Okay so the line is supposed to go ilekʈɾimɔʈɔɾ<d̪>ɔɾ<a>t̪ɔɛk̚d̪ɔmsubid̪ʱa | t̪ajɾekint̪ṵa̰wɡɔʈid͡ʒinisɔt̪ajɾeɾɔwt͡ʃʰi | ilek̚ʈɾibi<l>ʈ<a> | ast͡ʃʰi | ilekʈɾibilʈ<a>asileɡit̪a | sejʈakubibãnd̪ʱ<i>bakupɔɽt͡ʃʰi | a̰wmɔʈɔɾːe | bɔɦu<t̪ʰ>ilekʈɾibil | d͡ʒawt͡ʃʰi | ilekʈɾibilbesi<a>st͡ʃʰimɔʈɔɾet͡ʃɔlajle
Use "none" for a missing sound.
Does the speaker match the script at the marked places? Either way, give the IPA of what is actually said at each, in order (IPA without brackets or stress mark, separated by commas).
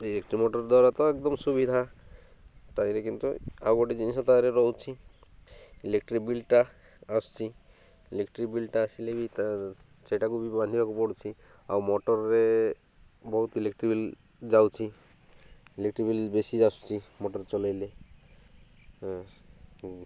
d̪, a, l, a, a, i, t̪, a